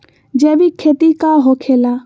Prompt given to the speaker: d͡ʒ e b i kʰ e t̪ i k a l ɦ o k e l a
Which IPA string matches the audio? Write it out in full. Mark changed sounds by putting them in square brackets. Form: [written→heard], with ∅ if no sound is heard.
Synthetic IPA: d͡ʒ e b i kʰ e t̪ i k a [l→∅] ɦ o [k→kʰ] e l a